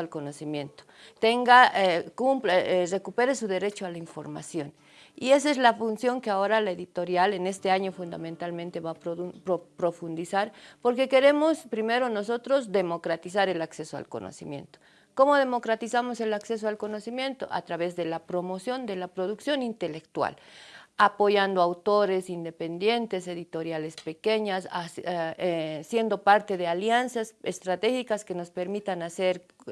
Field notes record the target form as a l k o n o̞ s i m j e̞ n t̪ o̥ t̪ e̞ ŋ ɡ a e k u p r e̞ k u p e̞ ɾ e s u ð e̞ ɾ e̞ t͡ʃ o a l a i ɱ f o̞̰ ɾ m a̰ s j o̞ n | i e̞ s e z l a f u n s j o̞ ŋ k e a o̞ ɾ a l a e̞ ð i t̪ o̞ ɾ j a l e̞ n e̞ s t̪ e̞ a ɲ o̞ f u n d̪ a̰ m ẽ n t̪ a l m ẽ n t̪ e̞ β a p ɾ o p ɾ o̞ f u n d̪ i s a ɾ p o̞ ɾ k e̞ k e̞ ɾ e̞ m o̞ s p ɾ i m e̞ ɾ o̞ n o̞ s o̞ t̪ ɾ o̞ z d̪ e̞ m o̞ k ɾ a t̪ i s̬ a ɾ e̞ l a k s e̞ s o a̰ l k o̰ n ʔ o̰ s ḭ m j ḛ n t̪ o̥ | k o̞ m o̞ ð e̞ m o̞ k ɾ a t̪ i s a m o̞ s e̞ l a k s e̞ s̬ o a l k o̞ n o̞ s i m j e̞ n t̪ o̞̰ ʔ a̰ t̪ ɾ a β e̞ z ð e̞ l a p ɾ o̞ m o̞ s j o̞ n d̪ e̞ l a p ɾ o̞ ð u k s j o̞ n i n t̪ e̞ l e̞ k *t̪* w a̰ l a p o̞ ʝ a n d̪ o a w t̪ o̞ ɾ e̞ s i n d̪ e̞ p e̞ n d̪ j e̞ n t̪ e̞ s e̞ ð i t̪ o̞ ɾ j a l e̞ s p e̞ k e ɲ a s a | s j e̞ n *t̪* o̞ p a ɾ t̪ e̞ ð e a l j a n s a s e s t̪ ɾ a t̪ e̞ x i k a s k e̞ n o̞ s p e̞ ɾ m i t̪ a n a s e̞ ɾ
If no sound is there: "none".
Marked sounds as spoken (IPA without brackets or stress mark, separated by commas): t̪, d̪